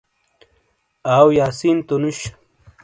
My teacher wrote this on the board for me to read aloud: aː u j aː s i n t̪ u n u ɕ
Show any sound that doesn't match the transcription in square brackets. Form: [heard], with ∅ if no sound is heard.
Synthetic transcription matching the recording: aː [w] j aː s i n t̪ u n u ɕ